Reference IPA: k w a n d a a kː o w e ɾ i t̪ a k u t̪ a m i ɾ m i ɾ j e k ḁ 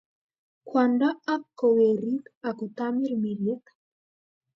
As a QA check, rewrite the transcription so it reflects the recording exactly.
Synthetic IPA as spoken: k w a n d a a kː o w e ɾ i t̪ a k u t̪ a m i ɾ m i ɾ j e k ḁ